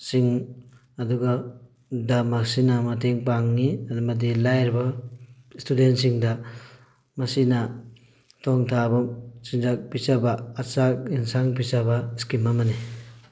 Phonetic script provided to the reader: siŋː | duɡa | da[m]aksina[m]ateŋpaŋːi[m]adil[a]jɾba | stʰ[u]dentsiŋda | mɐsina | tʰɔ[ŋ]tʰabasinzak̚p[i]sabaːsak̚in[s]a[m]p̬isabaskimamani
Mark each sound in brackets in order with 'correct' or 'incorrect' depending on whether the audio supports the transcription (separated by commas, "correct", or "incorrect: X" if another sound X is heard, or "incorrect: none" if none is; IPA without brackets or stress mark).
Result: correct, correct, correct, correct, correct, correct, correct, correct, incorrect: ŋ